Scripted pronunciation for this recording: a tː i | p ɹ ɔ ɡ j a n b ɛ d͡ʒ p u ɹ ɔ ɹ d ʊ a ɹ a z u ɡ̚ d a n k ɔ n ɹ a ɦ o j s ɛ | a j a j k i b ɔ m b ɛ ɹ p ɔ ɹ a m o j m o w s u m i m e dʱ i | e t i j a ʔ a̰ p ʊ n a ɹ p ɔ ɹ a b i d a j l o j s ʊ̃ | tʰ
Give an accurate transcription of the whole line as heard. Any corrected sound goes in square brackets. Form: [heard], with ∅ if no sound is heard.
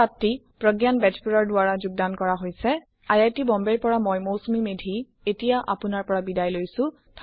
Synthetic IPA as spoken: a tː i | p ɹ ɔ ɡ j a n b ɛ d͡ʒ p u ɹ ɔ ɹ d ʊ a ɹ a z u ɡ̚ d a n k ɔ [∅] ɹ a ɦ o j s ɛ | a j a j [t] i b ɔ m b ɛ ɹ p ɔ ɹ a m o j m o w s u m i m e dʱ i | e t i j a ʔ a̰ p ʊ n a ɹ p ɔ ɹ a b i d a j l o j s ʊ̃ | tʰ